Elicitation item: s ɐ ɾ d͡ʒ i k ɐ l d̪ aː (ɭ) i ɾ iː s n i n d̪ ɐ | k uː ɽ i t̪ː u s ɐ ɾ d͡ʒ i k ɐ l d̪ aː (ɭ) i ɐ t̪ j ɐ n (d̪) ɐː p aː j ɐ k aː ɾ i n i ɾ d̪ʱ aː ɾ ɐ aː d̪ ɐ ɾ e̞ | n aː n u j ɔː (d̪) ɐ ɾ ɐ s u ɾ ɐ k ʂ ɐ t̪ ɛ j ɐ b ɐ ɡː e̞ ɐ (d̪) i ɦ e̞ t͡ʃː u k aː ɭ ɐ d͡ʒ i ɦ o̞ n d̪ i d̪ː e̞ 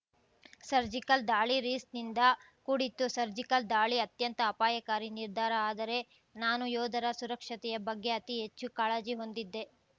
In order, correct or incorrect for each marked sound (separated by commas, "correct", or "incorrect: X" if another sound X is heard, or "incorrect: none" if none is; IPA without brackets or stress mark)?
correct, correct, incorrect: t̪, correct, incorrect: t̪